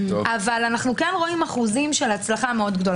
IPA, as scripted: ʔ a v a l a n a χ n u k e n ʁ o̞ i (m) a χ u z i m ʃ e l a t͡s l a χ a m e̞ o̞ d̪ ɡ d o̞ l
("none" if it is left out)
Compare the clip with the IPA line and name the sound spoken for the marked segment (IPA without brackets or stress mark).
m